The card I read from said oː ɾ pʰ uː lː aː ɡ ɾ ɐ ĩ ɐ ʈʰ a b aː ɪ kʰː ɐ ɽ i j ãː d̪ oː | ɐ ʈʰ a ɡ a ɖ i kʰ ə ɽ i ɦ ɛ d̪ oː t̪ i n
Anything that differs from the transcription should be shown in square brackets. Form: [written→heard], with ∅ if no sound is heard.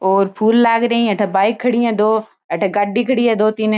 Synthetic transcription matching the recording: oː ɾ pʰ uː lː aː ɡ ɾ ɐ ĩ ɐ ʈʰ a b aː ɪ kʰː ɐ ɽ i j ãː d̪ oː | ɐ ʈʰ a ɡ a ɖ i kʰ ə ɽ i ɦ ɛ d̪ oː t̪ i n